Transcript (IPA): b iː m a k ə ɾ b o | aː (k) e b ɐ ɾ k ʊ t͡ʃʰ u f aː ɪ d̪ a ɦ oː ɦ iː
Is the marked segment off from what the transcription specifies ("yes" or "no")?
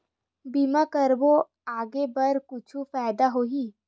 yes